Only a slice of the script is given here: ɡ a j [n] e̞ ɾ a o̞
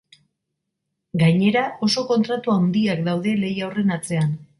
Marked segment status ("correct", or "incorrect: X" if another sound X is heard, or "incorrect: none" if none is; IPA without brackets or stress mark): incorrect: ɲ